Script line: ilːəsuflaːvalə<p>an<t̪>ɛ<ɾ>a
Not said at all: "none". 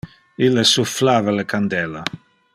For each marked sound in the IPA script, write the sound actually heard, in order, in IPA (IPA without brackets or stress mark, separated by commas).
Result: k, d̪, l